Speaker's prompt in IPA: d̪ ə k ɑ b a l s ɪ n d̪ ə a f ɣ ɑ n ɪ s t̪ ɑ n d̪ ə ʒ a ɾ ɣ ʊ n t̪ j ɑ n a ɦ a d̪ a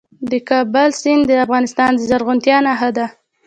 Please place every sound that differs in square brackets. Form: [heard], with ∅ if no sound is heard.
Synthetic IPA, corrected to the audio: d̪ ə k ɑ b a l s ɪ n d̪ ə a f ɣ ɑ n ɪ s t̪ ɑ n d̪ ə [z] a ɾ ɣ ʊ n t̪ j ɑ n a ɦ a d̪ a